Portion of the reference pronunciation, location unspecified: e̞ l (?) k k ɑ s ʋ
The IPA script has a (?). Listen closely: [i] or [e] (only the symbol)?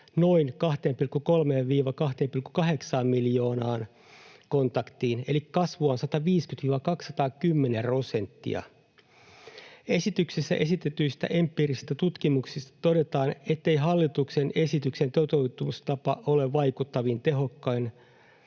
i